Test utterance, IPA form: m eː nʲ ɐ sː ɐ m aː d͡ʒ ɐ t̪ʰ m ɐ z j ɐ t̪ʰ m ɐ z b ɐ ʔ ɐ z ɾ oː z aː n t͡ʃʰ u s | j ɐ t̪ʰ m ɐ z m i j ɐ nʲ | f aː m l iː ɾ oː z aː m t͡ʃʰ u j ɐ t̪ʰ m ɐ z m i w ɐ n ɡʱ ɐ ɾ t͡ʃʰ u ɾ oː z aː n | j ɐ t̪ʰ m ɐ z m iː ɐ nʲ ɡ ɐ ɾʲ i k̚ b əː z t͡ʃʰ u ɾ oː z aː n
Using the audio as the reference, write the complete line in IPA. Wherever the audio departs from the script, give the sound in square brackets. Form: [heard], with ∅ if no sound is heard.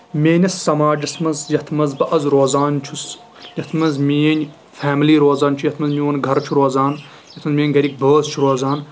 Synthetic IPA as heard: m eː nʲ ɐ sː ɐ m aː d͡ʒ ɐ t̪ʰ m ɐ z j ɐ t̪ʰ m ɐ z b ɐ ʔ ɐ z ɾ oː z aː n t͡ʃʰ u s | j ɐ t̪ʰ m ɐ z m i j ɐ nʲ | f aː m l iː ɾ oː z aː [n] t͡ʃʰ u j ɐ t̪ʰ m ɐ z m i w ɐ n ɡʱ ɐ ɾ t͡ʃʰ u ɾ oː z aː n | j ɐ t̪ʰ m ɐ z m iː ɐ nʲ ɡ ɐ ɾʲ i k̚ b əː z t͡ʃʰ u ɾ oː z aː n